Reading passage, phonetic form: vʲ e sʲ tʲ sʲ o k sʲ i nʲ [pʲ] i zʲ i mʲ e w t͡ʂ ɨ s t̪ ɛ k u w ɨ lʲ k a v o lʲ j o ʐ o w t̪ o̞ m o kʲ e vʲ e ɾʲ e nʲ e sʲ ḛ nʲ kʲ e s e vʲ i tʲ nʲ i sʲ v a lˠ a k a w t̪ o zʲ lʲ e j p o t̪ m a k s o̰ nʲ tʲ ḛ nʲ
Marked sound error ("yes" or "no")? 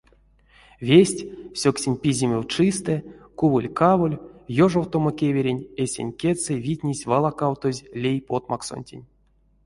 no